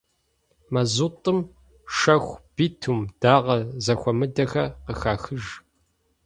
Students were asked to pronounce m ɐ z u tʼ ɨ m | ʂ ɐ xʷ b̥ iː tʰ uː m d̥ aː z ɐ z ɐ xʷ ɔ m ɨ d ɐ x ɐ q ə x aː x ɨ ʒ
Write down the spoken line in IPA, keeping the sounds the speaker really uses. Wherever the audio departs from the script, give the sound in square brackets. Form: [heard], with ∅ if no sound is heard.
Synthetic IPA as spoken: m ɐ z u tʼ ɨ m | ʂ ɐ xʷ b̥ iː tʰ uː m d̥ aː [ʁ] ɐ z ɐ xʷ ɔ m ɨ d ɐ x ɐ q ə x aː x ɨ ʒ